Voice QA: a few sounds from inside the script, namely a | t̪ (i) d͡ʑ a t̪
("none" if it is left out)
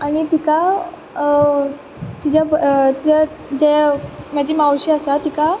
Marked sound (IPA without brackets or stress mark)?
i